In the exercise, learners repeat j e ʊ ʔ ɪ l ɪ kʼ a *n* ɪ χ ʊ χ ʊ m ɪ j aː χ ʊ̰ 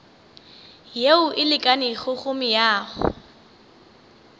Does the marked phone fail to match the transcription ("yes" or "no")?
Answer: no